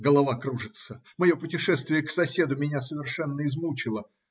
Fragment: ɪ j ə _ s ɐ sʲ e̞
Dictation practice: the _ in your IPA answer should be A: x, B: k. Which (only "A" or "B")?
B